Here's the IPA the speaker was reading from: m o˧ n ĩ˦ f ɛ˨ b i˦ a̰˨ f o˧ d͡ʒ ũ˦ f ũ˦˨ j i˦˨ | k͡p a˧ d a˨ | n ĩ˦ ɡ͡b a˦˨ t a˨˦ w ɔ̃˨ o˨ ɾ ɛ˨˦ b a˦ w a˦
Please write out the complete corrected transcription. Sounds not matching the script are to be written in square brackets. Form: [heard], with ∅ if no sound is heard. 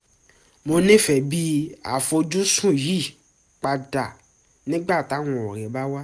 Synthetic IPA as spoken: m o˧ n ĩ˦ f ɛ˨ b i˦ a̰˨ f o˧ d͡ʒ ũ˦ [s] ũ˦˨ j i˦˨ | k͡p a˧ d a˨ | n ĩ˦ ɡ͡b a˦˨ t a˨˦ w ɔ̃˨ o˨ ɾ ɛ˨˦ b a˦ w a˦